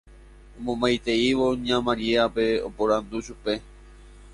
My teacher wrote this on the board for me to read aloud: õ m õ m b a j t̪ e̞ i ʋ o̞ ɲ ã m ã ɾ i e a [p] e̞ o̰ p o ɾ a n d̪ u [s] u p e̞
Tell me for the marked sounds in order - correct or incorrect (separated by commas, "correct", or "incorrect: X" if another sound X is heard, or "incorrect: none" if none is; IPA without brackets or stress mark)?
correct, incorrect: ʃ